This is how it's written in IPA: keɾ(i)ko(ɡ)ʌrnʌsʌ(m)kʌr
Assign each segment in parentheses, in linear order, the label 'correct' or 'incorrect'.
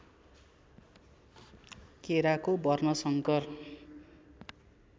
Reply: incorrect: a, incorrect: b, incorrect: ŋ

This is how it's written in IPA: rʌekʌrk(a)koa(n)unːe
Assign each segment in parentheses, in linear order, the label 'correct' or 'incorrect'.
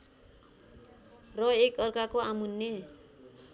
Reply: correct, incorrect: m

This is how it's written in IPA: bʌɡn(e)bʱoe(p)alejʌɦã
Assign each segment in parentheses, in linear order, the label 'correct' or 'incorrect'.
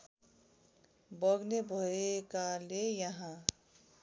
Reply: correct, incorrect: k

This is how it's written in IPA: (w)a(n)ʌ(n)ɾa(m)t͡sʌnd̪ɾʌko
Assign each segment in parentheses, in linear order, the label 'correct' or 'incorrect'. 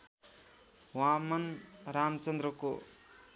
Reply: correct, incorrect: m, correct, correct

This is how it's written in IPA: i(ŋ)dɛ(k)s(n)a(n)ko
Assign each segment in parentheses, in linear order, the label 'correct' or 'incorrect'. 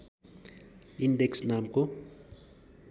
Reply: incorrect: n, correct, correct, incorrect: m

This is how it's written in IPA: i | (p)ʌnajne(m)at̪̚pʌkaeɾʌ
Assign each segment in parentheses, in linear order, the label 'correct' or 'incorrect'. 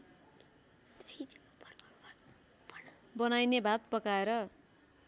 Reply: incorrect: b, incorrect: b

